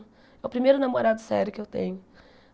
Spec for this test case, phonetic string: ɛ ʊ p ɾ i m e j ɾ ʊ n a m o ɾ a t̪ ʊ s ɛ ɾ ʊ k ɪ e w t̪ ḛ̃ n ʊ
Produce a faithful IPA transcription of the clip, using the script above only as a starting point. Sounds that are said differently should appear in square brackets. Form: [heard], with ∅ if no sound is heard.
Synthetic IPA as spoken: ɛ ʊ p ɾ i m e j ɾ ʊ n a m o ɾ a [d̪] ʊ s ɛ ɾ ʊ k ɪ e w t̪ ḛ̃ [ɲ] ʊ